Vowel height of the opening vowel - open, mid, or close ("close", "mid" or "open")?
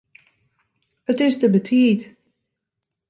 mid